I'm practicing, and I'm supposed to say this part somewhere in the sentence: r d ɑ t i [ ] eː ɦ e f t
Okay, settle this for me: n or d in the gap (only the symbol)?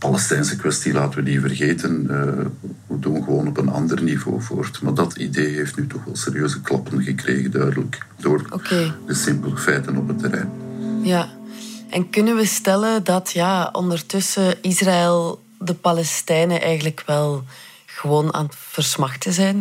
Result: d